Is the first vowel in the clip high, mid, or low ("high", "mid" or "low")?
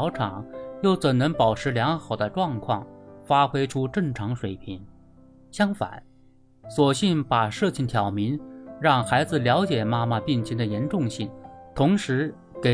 high